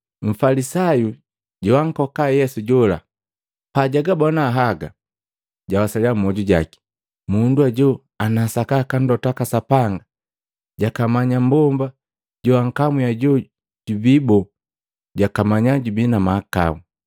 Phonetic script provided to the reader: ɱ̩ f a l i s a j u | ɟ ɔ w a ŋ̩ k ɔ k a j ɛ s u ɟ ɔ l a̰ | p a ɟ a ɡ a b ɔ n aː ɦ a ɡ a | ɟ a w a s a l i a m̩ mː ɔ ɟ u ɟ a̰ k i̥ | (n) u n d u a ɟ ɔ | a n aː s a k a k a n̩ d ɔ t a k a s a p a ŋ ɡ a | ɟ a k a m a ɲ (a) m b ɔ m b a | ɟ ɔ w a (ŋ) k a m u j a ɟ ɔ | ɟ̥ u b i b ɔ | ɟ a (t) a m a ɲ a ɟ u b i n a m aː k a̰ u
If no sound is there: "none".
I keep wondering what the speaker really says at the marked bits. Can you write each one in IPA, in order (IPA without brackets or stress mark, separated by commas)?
m, a, ŋ, k